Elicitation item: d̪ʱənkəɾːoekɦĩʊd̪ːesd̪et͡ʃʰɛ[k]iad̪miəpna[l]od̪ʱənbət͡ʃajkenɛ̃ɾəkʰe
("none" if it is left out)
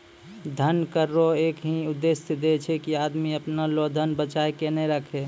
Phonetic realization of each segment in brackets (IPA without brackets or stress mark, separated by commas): k, l